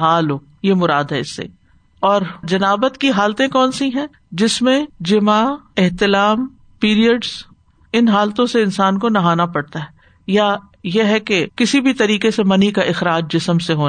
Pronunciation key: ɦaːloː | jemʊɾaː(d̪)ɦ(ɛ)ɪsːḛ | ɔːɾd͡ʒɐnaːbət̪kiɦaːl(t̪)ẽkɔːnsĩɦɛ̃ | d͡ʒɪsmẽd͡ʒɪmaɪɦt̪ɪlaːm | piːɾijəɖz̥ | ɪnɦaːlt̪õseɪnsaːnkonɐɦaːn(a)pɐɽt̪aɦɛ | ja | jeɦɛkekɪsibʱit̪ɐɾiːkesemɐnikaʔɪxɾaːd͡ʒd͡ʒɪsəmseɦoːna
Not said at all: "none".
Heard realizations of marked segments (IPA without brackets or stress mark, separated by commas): d̪, ɛ, t̪, a